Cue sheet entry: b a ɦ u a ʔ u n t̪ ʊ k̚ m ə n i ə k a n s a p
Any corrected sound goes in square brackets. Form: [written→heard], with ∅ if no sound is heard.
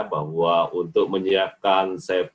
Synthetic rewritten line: b a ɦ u a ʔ u n t̪ ʊ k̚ m ə [n→ɲ] i [ə→a] k a n s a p